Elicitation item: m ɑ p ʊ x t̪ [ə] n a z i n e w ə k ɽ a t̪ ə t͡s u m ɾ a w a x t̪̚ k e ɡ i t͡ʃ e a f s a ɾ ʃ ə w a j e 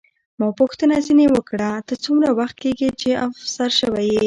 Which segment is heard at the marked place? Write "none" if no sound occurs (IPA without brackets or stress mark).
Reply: ə